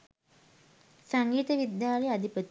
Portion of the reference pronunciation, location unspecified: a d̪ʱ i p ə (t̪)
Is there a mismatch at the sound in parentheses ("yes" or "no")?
no